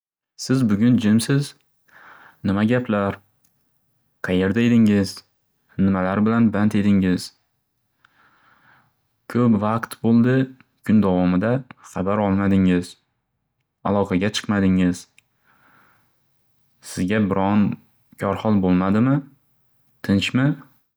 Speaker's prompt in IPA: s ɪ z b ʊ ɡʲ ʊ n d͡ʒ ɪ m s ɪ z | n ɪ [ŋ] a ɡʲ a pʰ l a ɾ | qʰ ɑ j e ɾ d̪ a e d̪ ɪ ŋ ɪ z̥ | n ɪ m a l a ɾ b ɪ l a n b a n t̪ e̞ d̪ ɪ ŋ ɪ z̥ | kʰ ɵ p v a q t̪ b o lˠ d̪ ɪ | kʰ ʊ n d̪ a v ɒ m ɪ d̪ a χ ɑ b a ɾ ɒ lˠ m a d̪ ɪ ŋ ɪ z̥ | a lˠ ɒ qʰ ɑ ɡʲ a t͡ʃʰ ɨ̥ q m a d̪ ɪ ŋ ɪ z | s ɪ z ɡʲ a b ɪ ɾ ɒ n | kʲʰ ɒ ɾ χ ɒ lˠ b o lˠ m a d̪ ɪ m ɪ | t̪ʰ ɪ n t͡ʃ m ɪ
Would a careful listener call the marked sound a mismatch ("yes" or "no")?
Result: yes